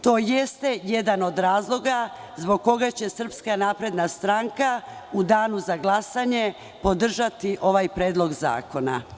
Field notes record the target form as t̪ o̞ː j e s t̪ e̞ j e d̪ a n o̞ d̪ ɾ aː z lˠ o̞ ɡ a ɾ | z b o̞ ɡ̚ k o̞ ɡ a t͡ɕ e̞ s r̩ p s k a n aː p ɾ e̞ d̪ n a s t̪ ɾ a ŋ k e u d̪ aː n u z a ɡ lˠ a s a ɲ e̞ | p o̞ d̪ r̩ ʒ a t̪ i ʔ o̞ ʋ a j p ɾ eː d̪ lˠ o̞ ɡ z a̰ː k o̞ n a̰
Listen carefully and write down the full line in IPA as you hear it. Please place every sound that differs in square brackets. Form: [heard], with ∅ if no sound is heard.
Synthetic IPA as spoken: t̪ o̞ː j e s t̪ e̞ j e d̪ a n o̞ d̪ ɾ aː z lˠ o̞ ɡ a [∅] | z b o̞ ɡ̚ k o̞ ɡ a t͡ɕ e̞ s r̩ p s k a n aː p ɾ e̞ d̪ n a s t̪ ɾ a ŋ k [a] u d̪ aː n u z a ɡ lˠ a s a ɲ e̞ | p o̞ d̪ r̩ ʒ a t̪ i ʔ o̞ ʋ a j p ɾ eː d̪ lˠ o̞ ɡ z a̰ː k o̞ n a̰